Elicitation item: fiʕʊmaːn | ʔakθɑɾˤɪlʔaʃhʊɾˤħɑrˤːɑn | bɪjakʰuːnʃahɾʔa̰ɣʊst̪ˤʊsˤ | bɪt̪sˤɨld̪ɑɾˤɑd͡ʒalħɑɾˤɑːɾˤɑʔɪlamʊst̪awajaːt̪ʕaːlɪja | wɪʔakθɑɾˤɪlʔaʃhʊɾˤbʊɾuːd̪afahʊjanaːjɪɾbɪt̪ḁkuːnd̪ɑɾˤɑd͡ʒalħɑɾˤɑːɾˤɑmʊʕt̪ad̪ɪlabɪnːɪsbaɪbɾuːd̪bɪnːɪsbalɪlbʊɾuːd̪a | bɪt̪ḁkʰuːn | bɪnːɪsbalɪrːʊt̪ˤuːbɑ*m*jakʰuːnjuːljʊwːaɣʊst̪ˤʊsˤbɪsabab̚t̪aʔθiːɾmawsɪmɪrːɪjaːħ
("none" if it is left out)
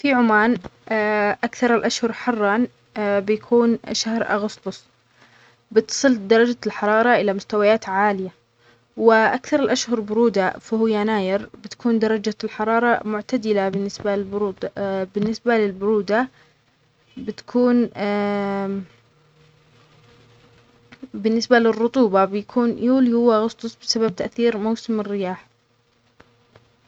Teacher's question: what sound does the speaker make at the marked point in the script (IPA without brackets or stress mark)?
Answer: b